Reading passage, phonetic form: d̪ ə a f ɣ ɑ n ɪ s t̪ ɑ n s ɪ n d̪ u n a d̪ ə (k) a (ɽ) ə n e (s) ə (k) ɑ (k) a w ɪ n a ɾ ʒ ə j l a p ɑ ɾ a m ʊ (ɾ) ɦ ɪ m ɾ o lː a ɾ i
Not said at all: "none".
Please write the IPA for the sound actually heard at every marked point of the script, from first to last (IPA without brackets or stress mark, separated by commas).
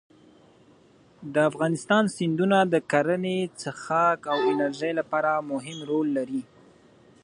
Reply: k, ɾ, t͡s, x, k, none